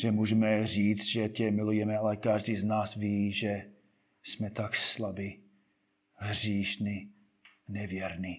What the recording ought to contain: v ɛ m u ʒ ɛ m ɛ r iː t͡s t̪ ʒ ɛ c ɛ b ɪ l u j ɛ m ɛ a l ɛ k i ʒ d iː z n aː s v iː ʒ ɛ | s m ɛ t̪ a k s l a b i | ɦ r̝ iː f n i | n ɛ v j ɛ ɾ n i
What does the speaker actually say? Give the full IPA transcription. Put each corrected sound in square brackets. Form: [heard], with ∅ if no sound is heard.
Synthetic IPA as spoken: [ʒ] ɛ m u ʒ ɛ m ɛ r iː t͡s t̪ ʒ ɛ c ɛ [m] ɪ l u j ɛ m ɛ a l ɛ k [a] ʒ d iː z n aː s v iː ʒ ɛ | s m ɛ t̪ a k s l a b i | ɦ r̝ iː [ʃ] n i | n ɛ v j ɛ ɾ n i